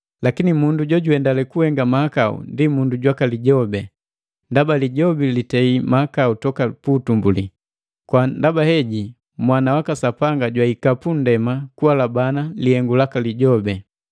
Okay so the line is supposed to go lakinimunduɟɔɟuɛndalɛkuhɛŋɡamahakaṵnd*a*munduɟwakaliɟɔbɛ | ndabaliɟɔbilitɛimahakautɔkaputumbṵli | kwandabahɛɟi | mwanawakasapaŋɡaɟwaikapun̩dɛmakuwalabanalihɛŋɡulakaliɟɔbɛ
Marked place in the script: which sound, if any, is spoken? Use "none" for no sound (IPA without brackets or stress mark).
i